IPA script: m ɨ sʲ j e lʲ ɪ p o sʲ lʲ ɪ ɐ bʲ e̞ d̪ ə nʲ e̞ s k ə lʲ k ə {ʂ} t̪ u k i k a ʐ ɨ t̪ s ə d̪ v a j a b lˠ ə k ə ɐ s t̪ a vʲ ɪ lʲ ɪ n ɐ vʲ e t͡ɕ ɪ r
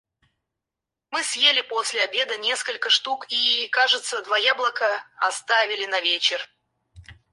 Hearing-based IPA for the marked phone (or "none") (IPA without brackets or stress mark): ʂ